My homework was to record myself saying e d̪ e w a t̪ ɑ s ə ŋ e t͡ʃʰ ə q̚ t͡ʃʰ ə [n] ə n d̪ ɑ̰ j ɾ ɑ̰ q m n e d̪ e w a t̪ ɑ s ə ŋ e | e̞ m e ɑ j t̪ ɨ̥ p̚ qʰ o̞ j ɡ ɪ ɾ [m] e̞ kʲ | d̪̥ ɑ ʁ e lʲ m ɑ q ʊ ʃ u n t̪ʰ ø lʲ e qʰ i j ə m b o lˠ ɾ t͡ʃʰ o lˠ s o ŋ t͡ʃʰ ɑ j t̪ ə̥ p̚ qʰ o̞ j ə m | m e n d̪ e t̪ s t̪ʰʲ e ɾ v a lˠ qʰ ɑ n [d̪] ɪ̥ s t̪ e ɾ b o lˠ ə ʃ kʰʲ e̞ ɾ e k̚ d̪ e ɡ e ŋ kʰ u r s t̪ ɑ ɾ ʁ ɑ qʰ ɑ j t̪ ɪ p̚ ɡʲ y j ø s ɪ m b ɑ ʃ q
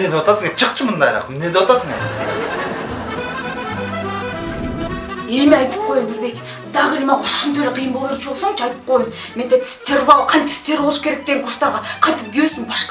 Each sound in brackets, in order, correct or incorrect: incorrect: m, incorrect: b, incorrect: t̪

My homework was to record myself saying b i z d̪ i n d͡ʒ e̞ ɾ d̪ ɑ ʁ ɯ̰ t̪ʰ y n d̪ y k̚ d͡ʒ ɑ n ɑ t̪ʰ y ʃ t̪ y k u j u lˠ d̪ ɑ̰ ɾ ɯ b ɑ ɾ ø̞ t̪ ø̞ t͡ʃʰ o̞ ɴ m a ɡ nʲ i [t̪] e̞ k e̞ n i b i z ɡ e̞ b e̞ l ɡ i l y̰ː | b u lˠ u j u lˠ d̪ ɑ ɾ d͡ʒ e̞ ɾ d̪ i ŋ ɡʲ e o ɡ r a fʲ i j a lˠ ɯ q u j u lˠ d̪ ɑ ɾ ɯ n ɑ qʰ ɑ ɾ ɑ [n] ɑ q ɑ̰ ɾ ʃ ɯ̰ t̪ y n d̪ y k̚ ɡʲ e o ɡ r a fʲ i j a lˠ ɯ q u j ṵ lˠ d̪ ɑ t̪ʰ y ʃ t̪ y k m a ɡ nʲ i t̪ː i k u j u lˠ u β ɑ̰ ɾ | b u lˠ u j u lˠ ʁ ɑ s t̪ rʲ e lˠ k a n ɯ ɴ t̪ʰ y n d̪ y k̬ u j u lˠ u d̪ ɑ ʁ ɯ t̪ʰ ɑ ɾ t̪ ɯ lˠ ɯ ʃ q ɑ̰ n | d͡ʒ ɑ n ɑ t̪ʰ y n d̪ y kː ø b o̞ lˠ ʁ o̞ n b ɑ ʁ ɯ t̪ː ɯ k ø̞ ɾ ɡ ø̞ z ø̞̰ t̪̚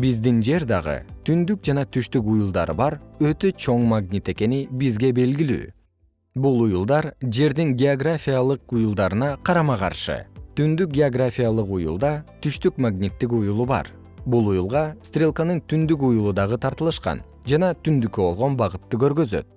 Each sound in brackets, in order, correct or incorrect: correct, incorrect: m

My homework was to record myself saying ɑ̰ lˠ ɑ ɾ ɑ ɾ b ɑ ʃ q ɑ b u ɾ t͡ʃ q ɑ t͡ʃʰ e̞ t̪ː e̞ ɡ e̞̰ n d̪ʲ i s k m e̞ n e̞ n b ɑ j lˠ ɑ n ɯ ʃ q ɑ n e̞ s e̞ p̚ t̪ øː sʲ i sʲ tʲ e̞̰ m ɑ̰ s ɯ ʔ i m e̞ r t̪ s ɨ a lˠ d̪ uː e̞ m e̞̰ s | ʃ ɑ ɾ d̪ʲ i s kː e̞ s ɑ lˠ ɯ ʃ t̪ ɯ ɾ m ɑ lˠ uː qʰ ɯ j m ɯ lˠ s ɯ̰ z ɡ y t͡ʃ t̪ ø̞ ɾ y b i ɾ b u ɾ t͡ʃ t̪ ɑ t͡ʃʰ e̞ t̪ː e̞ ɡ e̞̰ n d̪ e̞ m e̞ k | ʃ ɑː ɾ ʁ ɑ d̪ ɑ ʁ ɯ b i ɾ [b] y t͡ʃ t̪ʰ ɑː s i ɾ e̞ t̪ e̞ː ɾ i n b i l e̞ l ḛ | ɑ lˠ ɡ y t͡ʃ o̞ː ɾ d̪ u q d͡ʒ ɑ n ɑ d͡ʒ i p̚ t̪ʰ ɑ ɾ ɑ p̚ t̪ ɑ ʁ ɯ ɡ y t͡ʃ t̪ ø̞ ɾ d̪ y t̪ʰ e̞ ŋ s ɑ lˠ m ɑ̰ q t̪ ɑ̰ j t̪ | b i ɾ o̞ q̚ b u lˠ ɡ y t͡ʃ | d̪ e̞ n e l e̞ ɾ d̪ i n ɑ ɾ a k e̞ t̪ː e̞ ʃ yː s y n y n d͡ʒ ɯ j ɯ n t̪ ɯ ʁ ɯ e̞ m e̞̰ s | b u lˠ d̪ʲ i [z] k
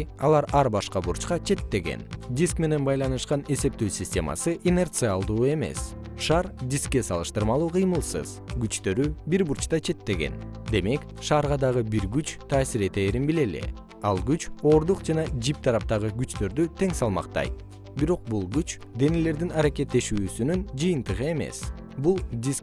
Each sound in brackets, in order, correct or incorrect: incorrect: ɡ, incorrect: s

